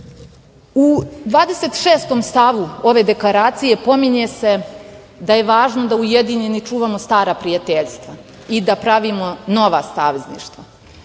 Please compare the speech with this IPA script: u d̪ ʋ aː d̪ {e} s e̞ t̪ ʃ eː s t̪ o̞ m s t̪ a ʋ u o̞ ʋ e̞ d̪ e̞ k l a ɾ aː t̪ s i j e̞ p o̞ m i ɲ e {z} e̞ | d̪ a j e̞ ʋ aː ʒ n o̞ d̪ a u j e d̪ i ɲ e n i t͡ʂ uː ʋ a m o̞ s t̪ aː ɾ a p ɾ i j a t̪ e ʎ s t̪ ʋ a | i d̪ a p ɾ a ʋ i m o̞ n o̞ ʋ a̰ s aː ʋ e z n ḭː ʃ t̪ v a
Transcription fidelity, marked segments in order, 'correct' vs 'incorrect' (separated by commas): correct, incorrect